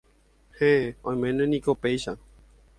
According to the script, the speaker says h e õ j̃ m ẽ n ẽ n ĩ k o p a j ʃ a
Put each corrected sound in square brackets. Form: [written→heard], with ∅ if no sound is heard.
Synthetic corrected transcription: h e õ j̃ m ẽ n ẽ n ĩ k o p [a→e] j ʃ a